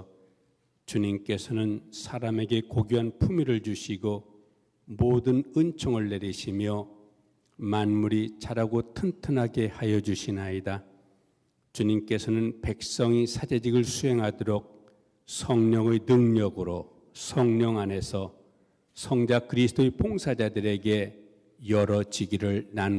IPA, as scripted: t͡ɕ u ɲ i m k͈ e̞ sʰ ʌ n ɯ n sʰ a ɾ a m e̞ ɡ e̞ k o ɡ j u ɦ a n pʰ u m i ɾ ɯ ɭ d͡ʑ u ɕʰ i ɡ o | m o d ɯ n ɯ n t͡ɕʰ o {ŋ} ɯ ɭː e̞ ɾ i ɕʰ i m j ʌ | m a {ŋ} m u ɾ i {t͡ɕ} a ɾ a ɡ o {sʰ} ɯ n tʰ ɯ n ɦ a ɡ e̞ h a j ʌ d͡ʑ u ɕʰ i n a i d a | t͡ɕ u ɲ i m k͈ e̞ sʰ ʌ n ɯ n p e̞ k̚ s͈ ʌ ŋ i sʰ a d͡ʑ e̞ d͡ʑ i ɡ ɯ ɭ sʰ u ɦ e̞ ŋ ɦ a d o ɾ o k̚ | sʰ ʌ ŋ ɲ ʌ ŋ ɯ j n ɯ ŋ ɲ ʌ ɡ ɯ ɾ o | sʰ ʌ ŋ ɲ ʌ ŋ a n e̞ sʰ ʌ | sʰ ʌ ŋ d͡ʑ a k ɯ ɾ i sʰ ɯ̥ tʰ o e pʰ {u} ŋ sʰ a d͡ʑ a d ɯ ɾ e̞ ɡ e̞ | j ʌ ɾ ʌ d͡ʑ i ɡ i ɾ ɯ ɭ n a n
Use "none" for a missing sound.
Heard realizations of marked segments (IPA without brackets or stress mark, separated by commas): ŋ, n, t͡ɕ, tʰ, o